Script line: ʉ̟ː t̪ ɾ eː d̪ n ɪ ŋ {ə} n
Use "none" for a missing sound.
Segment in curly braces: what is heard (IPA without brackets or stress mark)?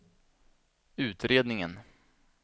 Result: ə